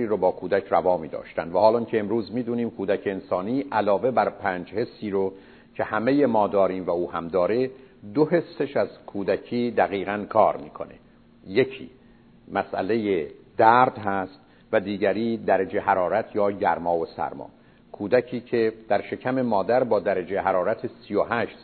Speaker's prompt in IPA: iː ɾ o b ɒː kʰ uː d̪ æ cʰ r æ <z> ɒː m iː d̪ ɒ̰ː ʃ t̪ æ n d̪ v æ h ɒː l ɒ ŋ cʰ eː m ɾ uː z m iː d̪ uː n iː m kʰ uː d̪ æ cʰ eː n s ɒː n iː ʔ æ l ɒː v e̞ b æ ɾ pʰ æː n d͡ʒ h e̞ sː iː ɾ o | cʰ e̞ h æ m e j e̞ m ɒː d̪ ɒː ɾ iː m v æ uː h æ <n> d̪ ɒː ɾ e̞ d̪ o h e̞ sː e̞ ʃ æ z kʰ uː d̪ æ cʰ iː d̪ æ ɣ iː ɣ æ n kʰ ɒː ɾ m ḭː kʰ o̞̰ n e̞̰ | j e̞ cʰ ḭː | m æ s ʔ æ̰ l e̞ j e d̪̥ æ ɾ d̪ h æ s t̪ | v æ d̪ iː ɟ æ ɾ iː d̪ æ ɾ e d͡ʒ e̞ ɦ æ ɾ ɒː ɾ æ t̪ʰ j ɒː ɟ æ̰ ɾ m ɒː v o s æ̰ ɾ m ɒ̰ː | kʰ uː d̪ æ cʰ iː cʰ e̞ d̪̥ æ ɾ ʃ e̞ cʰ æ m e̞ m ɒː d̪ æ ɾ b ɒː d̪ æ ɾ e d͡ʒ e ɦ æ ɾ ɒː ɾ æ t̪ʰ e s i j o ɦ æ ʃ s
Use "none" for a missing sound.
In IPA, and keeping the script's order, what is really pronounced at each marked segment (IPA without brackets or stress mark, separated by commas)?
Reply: v, m